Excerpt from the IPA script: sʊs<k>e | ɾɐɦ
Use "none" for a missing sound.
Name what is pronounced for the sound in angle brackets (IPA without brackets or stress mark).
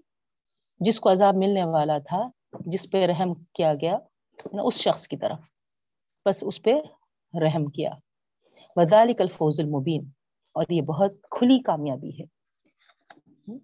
p